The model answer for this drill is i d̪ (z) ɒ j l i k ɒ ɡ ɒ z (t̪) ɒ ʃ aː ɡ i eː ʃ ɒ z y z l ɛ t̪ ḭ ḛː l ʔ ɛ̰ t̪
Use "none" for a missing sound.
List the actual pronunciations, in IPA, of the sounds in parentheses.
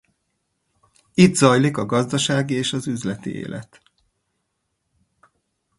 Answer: z, d̪

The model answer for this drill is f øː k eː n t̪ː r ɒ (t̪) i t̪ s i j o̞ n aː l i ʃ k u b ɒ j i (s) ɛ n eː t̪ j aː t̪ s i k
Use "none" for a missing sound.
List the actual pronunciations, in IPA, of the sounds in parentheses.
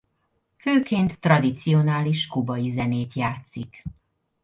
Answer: d̪, z

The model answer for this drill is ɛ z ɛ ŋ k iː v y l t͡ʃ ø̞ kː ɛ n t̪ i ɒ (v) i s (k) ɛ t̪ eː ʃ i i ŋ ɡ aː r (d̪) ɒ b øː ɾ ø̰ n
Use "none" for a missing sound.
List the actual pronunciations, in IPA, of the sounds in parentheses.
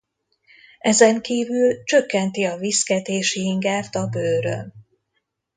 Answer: v, k, t̪

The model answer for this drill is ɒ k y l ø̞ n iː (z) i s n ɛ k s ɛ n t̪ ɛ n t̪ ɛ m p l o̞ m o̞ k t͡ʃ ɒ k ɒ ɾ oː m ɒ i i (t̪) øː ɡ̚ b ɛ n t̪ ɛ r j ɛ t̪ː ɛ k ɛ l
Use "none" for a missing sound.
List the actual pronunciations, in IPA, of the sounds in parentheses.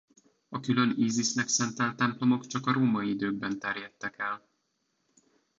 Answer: z, d̪

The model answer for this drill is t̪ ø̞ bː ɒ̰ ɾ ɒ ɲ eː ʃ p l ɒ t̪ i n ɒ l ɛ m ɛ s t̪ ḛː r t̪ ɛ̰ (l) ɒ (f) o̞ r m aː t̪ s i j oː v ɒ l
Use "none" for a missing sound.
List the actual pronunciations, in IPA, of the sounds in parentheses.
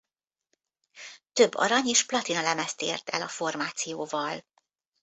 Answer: l, f

